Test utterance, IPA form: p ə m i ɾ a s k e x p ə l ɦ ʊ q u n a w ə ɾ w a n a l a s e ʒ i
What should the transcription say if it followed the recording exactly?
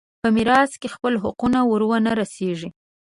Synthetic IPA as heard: p ə m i ɾ ɑ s k e x p ə l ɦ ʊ q u n a w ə ɾ w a n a ɾ a s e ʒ i